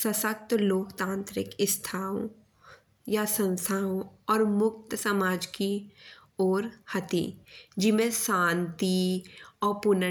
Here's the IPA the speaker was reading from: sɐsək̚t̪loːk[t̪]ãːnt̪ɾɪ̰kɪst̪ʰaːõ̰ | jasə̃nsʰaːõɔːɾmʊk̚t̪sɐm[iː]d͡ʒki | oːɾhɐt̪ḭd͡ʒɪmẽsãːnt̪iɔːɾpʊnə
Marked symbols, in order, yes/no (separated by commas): yes, no